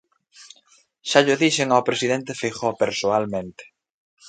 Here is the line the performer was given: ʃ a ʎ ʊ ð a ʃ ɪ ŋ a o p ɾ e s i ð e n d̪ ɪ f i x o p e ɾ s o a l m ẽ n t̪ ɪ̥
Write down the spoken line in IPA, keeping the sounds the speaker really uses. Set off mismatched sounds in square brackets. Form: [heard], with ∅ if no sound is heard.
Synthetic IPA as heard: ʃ a ʎ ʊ ð [i] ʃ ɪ ŋ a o p ɾ e s i ð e n [t̪] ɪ f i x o p e ɾ s o a l m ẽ n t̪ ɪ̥